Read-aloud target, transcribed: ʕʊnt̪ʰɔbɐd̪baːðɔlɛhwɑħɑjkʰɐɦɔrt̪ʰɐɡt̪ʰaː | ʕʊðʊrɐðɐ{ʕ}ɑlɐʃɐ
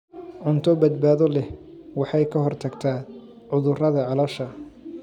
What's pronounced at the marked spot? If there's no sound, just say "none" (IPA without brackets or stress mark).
ʕ